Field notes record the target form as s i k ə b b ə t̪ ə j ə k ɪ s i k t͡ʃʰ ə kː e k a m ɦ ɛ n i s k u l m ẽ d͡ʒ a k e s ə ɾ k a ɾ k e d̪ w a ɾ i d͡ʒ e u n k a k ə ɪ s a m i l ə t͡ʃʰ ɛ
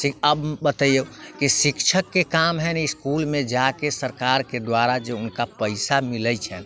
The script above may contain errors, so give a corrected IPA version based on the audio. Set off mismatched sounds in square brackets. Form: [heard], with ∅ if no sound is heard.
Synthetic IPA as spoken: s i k ə b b ə t̪ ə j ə k [i] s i k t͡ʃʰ ə kː e k a m ɦ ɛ n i s k u l m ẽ d͡ʒ a k e s ə ɾ k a ɾ k e d̪ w a ɾ [a] d͡ʒ e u n k a [p] ə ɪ s a m i l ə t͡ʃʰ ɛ